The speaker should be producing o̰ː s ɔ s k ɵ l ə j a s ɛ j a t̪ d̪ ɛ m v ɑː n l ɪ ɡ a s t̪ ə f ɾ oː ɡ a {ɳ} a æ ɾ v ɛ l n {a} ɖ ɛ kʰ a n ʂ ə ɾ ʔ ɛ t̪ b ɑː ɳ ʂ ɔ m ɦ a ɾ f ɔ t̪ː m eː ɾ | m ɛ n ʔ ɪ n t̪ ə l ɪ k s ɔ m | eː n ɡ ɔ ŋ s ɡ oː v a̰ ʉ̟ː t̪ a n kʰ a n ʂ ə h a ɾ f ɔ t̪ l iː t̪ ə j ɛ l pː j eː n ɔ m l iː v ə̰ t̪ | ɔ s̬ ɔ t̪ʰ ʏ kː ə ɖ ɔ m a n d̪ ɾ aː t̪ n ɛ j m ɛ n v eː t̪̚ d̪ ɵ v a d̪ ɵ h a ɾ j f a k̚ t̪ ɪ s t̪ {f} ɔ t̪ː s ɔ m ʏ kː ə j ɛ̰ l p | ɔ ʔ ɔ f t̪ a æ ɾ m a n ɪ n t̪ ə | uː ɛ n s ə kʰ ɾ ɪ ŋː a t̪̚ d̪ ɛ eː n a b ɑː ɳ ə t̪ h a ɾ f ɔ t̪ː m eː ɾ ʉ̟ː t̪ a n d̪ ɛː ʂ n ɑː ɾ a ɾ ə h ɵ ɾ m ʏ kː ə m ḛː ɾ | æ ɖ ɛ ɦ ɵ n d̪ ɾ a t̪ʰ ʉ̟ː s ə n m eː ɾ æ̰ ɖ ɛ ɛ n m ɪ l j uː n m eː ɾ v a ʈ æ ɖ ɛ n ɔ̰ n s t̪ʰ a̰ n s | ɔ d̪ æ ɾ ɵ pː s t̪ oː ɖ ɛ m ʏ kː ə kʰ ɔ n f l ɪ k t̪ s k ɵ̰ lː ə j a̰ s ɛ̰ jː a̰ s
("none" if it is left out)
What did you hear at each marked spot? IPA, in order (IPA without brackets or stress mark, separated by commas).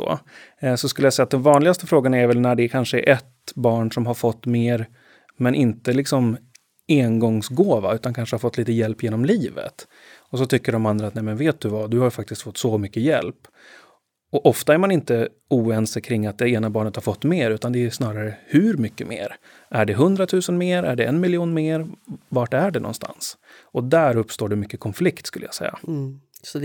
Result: n, æ, f